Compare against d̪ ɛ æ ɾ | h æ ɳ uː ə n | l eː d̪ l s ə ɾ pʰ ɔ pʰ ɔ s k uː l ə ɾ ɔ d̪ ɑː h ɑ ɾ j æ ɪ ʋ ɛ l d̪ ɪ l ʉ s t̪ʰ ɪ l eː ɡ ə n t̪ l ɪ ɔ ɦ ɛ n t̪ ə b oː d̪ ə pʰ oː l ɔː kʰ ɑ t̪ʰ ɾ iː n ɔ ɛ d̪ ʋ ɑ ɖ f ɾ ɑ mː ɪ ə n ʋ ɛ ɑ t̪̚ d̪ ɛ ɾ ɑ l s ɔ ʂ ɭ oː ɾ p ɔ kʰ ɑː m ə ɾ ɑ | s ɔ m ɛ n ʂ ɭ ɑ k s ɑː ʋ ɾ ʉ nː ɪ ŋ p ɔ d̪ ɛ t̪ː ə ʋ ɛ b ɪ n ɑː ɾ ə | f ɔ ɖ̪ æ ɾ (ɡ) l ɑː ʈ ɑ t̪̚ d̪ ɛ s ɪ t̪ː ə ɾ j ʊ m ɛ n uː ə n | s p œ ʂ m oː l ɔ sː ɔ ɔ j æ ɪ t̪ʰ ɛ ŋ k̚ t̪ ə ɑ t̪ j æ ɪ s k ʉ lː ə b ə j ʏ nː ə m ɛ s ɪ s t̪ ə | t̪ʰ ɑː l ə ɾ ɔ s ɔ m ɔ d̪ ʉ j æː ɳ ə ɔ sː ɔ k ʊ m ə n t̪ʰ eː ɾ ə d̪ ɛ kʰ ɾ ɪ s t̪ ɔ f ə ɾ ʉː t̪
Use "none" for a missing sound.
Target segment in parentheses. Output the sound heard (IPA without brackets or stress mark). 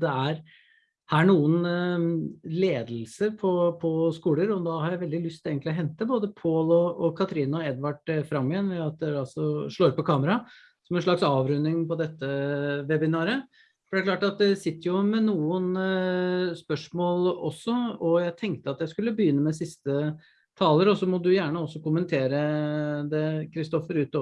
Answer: k